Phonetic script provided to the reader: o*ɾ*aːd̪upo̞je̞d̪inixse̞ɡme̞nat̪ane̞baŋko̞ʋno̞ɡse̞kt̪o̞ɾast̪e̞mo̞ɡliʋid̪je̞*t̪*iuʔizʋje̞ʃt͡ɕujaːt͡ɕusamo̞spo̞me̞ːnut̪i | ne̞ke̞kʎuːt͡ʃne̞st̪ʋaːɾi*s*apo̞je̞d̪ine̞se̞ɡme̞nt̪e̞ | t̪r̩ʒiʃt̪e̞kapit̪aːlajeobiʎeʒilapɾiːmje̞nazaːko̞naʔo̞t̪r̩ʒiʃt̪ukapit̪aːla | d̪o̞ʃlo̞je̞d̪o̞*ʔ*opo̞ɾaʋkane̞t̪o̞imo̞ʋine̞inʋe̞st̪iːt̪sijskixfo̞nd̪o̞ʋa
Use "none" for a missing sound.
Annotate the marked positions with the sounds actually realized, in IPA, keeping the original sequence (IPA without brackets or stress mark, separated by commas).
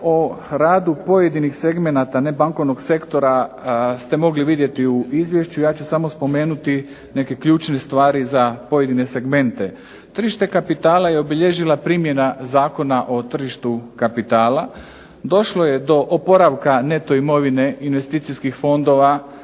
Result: ɾ, t̪, z, ʔ